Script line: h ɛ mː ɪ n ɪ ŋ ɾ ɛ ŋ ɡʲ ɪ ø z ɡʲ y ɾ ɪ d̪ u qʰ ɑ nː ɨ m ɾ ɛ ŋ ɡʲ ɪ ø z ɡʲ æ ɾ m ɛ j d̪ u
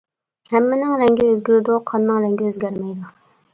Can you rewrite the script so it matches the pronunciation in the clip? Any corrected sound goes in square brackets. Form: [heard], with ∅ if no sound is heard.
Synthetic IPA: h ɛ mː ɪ n ɪ ŋ ɾ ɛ ŋ ɡʲ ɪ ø z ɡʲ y ɾ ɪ d̪ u qʰ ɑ nː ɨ [ŋ] ɾ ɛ ŋ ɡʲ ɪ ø z ɡʲ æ ɾ m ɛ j d̪ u